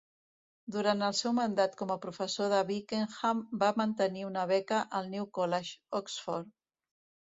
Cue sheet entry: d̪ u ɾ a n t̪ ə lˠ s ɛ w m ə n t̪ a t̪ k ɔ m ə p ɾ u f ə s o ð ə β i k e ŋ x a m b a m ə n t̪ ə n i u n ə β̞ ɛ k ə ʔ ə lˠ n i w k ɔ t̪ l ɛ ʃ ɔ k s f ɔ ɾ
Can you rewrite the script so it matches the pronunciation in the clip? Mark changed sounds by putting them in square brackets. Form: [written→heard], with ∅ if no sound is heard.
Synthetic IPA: d̪ u ɾ a n t̪ ə lˠ s ɛ w m ə n [t̪→d̪] a t̪ k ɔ m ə p ɾ u f ə s o ð ə β i k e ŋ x a m b a m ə n t̪ ə n i u n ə β̞ ɛ k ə ʔ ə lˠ n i w k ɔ [t̪→∅] l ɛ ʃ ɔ k s f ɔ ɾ